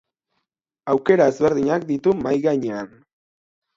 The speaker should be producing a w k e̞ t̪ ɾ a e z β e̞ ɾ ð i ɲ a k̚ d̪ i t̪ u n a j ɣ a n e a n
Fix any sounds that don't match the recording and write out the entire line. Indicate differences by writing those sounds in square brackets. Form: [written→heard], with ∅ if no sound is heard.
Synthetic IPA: a w k e̞ [t̪→∅] ɾ a e z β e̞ ɾ ð i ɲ a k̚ d̪ i t̪ u [n→m] a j ɣ a [n→ɲ] e a n